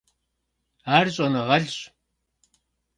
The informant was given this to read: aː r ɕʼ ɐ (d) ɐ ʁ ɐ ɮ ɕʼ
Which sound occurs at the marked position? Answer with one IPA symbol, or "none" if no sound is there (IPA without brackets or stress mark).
n